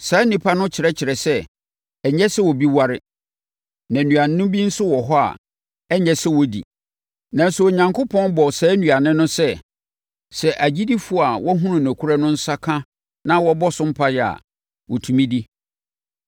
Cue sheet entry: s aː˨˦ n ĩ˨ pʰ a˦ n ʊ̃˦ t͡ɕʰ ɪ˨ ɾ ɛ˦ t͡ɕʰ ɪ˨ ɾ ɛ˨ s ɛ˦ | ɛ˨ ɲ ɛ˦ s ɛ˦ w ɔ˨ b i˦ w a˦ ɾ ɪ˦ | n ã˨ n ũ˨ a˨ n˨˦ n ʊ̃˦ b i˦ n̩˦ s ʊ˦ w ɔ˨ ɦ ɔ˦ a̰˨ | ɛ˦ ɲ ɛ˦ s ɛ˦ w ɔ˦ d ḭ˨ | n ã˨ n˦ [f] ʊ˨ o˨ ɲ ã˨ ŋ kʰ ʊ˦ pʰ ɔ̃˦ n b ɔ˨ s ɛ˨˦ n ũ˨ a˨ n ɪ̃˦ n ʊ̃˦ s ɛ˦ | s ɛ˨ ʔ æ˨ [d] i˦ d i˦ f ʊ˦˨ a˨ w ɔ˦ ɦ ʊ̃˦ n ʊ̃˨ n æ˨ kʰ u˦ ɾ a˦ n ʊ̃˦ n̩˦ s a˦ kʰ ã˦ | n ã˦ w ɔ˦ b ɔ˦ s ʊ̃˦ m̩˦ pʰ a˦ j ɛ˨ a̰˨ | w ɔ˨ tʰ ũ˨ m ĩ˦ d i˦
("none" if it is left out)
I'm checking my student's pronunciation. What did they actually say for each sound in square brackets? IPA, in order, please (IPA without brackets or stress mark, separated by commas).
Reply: s, d͡ʑ